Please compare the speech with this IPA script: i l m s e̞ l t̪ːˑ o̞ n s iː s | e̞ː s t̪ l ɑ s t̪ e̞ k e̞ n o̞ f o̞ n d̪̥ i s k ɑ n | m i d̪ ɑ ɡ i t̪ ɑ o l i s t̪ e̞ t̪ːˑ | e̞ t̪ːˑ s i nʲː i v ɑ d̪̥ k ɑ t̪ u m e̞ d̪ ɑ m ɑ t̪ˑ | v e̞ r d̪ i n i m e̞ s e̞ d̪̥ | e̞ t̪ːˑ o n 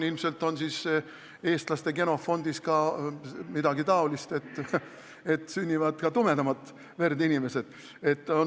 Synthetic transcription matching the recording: i l m s e̞ l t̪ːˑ o̞ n s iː s | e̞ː s t̪ l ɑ s t̪ e̞ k e̞ n o̞ f o̞ n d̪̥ i s k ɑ | m i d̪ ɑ ɡ i t̪ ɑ o l i s t̪ e̞ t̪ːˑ | e̞ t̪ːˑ s y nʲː i v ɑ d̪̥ k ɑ t̪ u m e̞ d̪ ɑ m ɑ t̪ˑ | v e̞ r d̪ i n i m e̞ s e̞ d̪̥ | e̞ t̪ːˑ o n